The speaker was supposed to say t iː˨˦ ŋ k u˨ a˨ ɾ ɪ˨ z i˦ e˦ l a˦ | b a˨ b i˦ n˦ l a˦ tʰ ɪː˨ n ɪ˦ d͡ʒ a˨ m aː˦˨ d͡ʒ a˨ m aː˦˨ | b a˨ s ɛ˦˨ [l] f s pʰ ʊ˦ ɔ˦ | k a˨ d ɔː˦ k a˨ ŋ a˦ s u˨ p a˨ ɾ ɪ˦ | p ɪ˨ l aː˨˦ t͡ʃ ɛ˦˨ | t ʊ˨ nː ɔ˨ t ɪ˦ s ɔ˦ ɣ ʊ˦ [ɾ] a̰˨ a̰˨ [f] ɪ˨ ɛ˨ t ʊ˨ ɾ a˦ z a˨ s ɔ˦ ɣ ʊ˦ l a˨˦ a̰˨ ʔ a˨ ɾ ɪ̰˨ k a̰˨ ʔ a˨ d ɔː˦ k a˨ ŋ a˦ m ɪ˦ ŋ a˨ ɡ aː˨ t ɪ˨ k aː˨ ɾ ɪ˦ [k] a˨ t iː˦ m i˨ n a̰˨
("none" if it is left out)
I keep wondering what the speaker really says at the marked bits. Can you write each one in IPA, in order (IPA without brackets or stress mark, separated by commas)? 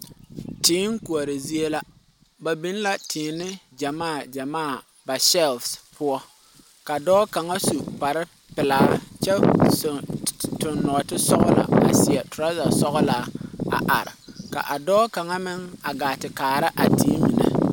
l, l, s, ʔ